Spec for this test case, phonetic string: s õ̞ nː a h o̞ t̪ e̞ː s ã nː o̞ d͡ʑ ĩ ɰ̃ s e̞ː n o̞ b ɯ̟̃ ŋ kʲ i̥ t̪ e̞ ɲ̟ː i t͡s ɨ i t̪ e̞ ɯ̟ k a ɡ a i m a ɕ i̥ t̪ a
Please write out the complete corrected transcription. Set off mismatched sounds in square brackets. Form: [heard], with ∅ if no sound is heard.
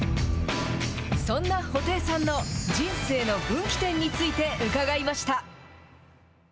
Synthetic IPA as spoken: s õ̞ nː a h o̞ t̪ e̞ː s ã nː o̞ d͡ʑ ĩ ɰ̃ s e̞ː n o̞ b ɯ̟̃ ŋ kʲ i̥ t̪ [ẽ̞] ɲ̟ː i t͡s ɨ i t̪ e̞ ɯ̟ k a ɡ a i m a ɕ i̥ t̪ a